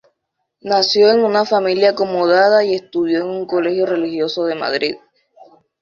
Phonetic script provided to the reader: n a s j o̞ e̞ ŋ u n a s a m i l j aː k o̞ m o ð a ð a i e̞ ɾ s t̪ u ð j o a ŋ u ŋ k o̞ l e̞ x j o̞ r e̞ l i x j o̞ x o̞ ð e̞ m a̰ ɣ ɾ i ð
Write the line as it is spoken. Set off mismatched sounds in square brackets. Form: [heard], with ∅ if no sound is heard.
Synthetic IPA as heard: n a s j o̞ e̞ ŋ u n a [f] a m i l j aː k o̞ m o ð a ð a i e̞ [∅] s t̪ u ð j o [e] ŋ u ŋ k o̞ l e̞ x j o̞ r e̞ l i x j o̞ [s] o̞ ð e̞ m a̰ [ð] ɾ i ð